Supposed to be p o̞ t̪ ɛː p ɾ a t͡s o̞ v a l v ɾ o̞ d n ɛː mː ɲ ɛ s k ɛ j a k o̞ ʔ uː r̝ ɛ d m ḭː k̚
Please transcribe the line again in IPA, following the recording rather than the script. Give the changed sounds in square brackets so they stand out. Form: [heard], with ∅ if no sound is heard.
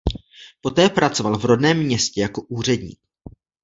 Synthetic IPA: p o̞ t̪ ɛː p ɾ a t͡s o̞ v a l v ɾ o̞ d n ɛː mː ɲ ɛ s [c] ɛ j a k o̞ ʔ uː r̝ ɛ d [ɲ] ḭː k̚